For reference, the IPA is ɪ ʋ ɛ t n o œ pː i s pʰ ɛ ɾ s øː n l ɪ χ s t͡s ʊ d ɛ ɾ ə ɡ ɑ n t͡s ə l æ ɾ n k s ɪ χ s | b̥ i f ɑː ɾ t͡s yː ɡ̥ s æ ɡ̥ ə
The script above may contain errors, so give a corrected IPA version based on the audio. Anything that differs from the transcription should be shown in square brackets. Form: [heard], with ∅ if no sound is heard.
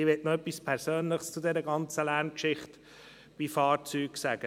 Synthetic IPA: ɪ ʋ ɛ t n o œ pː i s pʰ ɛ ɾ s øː n l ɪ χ s t͡s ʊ d ɛ ɾ ə ɡ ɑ n t͡s ə l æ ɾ n k [ʃ] ɪ χ [t] | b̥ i f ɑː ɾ t͡s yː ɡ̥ s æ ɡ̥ ə